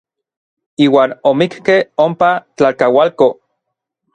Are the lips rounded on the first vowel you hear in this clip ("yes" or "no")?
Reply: no